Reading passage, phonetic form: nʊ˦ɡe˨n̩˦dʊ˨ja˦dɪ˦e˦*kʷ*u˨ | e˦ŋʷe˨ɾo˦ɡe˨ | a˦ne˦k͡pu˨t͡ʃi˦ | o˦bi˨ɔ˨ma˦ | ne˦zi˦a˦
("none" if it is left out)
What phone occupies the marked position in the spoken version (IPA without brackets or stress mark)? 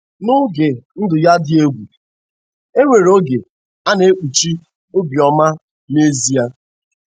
ɡʷ